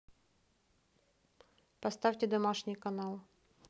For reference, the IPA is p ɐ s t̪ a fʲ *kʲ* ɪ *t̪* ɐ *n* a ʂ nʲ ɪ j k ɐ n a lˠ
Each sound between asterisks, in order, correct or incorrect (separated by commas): incorrect, incorrect, incorrect